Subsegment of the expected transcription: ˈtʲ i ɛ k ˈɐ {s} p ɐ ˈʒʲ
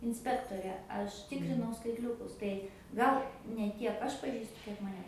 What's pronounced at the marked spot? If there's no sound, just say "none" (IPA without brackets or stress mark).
ʃ